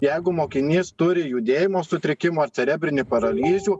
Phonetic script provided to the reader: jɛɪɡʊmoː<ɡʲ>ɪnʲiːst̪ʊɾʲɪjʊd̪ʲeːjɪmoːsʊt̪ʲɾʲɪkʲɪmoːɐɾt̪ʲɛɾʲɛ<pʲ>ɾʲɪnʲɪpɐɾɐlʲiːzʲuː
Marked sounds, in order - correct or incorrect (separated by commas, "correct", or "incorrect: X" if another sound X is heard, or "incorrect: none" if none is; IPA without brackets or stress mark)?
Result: incorrect: kʲ, incorrect: bʲ